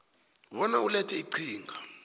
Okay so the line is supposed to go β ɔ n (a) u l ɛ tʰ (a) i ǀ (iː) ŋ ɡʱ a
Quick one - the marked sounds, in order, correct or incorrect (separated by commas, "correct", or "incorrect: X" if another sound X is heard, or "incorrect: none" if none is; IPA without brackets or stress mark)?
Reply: correct, incorrect: ɛ, correct